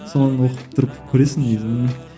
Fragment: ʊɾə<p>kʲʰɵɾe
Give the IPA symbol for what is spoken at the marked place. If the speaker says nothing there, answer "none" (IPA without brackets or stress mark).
p